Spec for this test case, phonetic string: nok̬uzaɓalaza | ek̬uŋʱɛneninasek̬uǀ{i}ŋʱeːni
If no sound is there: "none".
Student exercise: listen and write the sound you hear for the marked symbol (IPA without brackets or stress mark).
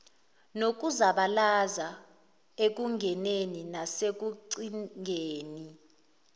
i